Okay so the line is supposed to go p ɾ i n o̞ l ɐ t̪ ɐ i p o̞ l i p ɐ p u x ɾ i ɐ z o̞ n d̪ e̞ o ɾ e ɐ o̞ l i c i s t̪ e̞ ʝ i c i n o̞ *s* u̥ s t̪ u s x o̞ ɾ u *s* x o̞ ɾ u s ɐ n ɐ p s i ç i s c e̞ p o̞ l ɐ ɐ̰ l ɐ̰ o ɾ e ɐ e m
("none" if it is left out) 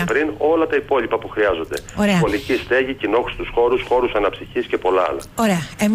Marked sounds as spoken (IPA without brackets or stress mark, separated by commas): x, s